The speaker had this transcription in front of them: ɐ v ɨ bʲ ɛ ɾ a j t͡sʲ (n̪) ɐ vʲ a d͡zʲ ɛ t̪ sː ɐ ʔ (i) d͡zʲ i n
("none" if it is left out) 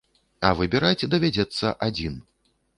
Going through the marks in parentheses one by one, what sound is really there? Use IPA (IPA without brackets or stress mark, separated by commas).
d̪, a